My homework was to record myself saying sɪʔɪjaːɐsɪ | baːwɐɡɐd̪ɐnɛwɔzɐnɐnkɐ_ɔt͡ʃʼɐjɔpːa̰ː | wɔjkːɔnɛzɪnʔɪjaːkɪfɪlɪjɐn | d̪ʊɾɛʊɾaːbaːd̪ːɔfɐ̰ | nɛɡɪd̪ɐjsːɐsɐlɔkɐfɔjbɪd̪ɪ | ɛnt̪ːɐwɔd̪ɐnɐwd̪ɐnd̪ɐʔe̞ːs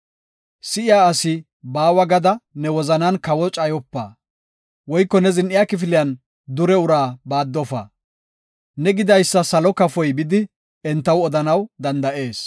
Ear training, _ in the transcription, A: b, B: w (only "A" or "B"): B